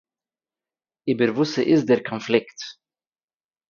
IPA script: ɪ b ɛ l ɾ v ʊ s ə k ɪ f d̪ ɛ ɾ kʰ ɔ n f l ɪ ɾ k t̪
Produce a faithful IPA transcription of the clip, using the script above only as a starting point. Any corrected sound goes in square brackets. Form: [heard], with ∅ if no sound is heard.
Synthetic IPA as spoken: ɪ b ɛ [∅] ɾ v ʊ s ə [ʔ] ɪ [s] d̪ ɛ ɾ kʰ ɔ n f l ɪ [∅] k t̪